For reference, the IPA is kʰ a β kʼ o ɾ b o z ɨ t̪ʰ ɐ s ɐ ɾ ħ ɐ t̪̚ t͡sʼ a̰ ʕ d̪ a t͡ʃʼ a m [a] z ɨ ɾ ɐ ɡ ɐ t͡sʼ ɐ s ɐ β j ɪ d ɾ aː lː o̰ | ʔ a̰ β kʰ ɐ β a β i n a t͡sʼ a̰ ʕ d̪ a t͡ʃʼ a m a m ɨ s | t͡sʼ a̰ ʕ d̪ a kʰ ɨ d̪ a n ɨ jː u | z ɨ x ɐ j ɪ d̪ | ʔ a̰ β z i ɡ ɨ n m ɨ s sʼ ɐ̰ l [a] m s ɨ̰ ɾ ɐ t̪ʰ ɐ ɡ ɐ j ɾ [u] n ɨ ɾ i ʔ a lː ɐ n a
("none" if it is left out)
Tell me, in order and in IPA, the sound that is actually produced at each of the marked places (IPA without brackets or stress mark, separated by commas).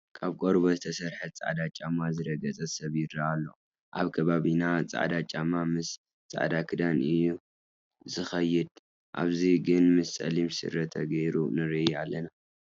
a, i, u